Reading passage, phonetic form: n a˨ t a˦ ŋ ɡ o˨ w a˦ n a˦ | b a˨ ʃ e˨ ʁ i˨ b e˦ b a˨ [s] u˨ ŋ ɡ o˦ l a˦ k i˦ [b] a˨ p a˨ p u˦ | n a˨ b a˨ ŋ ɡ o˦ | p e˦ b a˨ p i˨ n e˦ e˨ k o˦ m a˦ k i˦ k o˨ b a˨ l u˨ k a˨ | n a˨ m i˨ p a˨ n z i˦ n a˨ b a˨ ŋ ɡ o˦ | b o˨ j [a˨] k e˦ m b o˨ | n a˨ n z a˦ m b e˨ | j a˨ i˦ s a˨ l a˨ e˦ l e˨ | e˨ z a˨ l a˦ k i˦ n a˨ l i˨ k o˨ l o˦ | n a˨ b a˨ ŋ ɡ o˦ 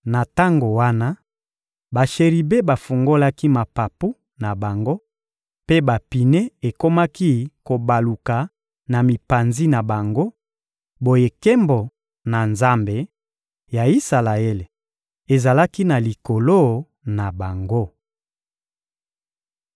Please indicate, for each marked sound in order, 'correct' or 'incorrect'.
incorrect: f, incorrect: m, incorrect: e˨

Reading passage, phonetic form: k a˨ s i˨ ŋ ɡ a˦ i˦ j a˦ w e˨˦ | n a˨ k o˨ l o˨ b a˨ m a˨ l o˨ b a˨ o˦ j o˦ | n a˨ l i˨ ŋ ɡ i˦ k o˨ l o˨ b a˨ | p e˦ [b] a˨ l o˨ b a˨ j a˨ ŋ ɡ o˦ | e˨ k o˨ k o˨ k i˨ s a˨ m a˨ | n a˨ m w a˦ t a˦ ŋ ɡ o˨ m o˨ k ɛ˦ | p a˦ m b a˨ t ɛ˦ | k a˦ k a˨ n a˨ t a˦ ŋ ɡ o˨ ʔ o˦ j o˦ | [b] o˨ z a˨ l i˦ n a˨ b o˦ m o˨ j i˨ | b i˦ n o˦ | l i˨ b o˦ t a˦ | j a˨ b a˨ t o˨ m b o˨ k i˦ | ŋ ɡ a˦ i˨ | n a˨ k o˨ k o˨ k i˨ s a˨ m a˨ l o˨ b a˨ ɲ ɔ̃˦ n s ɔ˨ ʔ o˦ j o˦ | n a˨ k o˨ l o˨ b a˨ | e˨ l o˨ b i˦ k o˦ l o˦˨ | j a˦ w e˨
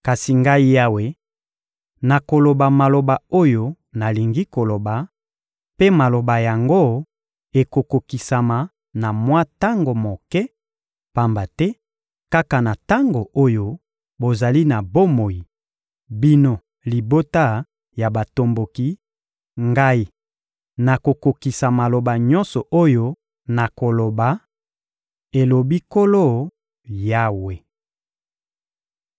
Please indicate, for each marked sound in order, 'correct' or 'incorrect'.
incorrect: m, correct

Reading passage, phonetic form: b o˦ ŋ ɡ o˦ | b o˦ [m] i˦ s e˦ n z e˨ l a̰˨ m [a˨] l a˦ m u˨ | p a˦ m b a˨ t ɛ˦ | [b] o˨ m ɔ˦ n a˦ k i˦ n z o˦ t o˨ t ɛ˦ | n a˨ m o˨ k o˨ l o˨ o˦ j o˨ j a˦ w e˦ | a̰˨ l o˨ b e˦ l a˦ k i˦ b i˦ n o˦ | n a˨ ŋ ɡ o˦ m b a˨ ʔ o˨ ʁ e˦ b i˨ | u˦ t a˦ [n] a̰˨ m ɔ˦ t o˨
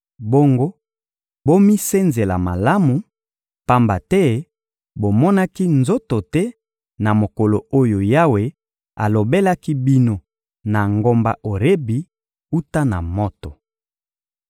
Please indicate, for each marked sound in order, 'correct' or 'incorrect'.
correct, correct, correct, correct

